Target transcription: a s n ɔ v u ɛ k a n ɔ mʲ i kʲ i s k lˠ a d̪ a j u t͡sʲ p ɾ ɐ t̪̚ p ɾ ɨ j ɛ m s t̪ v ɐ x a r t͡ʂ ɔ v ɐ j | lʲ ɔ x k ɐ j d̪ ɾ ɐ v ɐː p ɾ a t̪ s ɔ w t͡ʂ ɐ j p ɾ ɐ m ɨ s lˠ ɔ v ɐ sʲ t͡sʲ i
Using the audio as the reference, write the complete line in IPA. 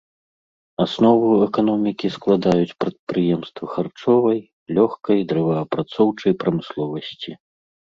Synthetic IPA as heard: a s n ɔ v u ɛ k a n ɔ mʲ i kʲ i s k lˠ a d̪ a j u t͡sʲ p ɾ ɐ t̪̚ p ɾ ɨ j ɛ m s t̪ v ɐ x a r t͡ʂ ɔ v ɐ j | lʲ ɔ x k ɐ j d̪ ɾ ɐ v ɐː p ɾ a t̪ s ɔ w t͡ʂ ɐ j p ɾ ɐ m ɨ s lˠ ɔ v ɐ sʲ t͡sʲ i